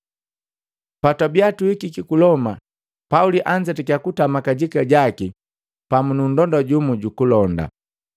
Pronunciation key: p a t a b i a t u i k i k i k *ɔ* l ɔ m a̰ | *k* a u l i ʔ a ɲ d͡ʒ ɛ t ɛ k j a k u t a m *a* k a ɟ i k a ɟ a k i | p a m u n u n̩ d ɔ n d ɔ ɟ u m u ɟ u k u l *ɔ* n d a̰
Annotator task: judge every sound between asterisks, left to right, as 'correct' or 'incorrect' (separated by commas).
incorrect, incorrect, correct, correct